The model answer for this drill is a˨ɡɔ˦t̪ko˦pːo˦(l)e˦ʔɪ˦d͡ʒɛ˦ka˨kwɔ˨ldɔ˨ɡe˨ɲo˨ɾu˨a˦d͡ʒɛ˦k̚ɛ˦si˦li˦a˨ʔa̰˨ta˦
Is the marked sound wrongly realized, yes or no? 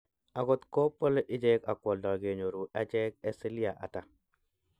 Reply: no